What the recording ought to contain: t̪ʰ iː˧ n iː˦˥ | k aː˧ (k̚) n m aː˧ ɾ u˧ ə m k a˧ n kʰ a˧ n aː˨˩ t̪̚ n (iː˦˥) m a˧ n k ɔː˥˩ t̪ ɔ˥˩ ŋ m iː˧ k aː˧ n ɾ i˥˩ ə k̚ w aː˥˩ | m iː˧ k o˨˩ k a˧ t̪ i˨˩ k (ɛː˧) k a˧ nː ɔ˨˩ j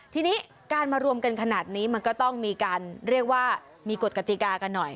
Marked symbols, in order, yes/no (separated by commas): no, yes, no